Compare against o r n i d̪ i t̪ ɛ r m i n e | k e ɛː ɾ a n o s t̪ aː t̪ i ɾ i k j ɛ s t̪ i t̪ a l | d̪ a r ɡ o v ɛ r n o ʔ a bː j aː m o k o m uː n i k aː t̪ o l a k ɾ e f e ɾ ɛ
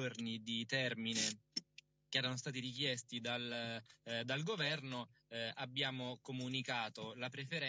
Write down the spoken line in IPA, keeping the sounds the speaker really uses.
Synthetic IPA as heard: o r n i d̪ i t̪ ɛ r m i n e | k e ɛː ɾ a n o s t̪ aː t̪ i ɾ i k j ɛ s t̪ i d̪ a l | d̪ a l ɡ o v ɛ r n o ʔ a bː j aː m o k o m u n i k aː t̪ o l a p ɾ e f e ɾ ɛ

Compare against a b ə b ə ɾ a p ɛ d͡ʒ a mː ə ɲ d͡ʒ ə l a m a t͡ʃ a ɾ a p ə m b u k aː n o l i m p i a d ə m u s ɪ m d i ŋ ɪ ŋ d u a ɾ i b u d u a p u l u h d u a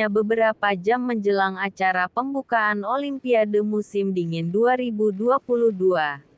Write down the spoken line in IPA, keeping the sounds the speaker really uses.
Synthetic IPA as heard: a b ə b ə ɾ a p a d͡ʒ a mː ə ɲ d͡ʒ ə l a ŋ a t͡ʃ a ɾ a p ə m b u k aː n o l i m p i a d ə m u s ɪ m d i ŋ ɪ n d u a ɾ i b u d u a p u l u h d u a

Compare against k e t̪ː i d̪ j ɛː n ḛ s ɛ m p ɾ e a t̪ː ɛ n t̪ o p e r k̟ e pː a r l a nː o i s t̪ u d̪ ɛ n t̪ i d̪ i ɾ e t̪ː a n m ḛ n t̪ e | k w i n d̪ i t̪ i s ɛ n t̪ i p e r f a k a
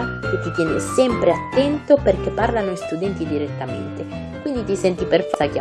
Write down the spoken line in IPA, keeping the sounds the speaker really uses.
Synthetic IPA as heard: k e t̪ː i t̪ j ɛː n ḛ s ɛ m p ɾ e a t̪ː ɛ n t̪ o p e r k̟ e pː a r l a n o i s t̪ u d̪ ɛ n t̪ i d̪ i ɾ e t̪ː a m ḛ n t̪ e | k w i n d̪ i t̪ i s ɛ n t̪ i p e r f a k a

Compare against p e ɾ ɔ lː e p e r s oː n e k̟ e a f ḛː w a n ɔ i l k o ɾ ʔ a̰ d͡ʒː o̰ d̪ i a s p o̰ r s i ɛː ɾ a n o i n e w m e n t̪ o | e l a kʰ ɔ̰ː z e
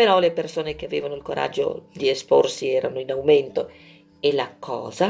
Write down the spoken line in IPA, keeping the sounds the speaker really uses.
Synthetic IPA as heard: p e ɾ ɔ l e p e r s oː n e k̟ e a v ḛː v a n o i l k o ɾ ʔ a̰ d͡ʒː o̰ d̪ i e s p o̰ r s i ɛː ɾ a n o i n a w m e n t̪ o | e l a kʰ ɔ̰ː z a

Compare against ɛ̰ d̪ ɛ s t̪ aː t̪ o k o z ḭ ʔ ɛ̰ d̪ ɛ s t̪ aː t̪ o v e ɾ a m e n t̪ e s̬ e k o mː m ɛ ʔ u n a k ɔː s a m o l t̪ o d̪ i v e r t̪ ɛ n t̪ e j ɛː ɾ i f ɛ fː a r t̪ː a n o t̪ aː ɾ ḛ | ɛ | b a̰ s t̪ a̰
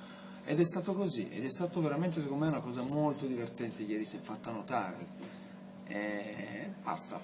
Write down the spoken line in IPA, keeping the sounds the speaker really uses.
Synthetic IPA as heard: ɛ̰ d̪ ɛ s t̪ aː t̪ o k o z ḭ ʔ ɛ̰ d̪ ɛ s t̪ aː t̪ o v e ɾ a m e n t̪ e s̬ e k o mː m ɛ u n a k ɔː z a m o l t̪ o d̪ i v e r t̪ ɛ n t̪ e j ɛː ɾ i s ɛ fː a t̪ː a n o t̪ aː ɾ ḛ | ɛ | b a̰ s t̪ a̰

